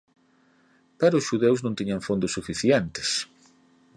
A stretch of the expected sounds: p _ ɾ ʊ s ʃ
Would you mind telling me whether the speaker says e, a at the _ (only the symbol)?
a